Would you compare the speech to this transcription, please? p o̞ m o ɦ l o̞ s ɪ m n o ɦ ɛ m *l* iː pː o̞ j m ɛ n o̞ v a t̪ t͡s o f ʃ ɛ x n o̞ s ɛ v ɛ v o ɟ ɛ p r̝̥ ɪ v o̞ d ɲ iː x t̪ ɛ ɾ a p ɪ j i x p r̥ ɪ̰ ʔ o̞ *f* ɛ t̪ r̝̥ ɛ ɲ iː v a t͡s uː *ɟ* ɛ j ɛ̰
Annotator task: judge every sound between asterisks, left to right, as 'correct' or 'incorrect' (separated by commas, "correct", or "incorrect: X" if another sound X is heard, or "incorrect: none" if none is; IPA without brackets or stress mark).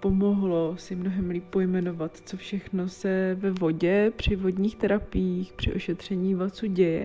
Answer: correct, incorrect: ʃ, correct